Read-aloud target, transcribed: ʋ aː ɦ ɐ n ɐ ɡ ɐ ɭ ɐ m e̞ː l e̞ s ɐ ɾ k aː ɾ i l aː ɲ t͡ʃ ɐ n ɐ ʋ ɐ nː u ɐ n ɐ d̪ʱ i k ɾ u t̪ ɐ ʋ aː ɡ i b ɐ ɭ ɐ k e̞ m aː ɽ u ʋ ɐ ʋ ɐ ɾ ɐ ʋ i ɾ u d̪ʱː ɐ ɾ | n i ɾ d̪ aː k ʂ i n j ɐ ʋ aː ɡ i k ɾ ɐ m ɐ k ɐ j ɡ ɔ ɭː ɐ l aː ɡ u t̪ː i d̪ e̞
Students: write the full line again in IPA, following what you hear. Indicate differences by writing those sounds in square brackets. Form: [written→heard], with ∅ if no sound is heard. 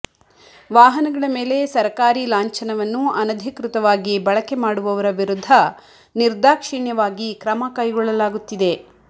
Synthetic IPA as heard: ʋ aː ɦ ɐ n ɐ ɡ ɐ ɭ ɐ m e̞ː l e̞ s ɐ ɾ k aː ɾ i l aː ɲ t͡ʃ ɐ n ɐ ʋ ɐ nː u ɐ n ɐ d̪ʱ i k ɾ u t̪ ɐ ʋ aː ɡ i b ɐ ɭ ɐ k e̞ m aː ɽ u ʋ ɐ ʋ ɐ ɾ ɐ ʋ i ɾ u d̪ʱː ɐ [ɾ→∅] | n i ɾ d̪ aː k ʂ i [n→ɳ] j ɐ ʋ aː ɡ i k ɾ ɐ m ɐ k ɐ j ɡ ɔ ɭː ɐ l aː ɡ u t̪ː i d̪ e̞